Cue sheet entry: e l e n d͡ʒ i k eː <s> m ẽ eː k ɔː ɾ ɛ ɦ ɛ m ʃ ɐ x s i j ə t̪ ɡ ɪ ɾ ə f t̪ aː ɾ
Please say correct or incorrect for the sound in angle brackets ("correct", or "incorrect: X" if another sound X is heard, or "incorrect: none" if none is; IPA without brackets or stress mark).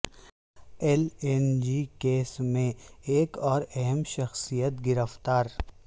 correct